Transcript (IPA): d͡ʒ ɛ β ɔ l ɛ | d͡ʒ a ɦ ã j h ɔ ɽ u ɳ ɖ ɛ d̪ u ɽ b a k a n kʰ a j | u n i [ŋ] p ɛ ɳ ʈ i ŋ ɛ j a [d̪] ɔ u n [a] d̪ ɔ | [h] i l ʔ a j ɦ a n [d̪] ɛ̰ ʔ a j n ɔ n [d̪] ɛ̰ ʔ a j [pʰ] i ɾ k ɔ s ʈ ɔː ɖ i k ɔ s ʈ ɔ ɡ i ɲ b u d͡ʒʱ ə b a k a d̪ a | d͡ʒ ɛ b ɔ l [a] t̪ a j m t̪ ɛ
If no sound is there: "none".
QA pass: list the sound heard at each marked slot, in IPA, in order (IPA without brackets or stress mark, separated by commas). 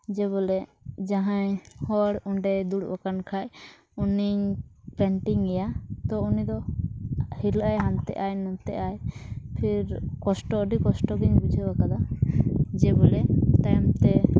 ɲ, t̪, i, h, t̪, t̪, pʰ, ɛ